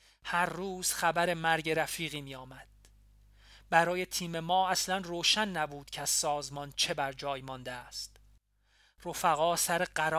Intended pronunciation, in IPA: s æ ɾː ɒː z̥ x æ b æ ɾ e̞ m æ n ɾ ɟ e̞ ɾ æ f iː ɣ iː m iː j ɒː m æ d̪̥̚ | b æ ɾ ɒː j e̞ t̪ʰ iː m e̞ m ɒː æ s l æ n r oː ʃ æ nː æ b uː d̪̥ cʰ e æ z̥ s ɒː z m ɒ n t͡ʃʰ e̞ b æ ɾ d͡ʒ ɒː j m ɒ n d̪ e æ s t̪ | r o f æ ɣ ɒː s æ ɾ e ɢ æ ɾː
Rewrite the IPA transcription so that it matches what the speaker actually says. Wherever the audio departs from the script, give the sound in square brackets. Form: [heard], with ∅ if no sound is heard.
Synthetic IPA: [h] æ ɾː [uː] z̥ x æ b æ ɾ e̞ m æ [∅] ɾ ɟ e̞ ɾ æ f iː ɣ iː m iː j ɒː m æ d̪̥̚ | b æ ɾ ɒː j e̞ t̪ʰ iː m e̞ m ɒː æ s l æ n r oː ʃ æ nː æ b uː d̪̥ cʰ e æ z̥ s ɒː z m ɒ n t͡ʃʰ e̞ b æ ɾ d͡ʒ ɒː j m ɒ n d̪ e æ s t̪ | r o f æ ɣ ɒː s æ ɾ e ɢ æ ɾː